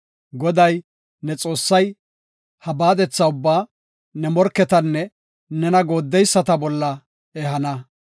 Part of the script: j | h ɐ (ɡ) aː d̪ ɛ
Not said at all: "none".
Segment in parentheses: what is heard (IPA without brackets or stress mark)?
b